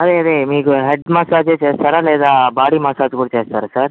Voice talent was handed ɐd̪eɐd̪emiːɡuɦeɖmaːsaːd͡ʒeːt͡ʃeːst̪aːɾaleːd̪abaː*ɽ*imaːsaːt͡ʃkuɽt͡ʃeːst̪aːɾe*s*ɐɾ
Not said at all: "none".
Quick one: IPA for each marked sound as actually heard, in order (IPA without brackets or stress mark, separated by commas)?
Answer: ɽ, s